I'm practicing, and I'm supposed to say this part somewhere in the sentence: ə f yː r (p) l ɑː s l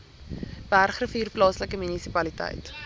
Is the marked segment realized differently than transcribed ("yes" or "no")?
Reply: no